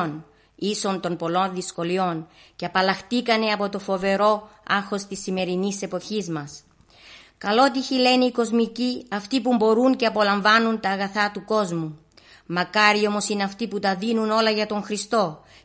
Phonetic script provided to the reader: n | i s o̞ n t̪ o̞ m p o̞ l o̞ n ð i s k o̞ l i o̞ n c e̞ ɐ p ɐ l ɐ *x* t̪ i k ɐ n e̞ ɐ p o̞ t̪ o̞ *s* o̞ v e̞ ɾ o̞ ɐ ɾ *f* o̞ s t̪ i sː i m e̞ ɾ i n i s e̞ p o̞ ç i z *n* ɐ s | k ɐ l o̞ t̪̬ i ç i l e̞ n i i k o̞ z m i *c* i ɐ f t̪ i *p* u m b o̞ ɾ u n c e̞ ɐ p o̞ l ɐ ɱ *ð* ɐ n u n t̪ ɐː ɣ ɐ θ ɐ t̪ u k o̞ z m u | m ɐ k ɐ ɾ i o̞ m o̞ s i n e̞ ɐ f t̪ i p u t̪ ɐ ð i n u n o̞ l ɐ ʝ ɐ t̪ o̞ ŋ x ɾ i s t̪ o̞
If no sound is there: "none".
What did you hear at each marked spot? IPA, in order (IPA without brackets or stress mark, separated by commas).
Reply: x, f, x, m, c, p, v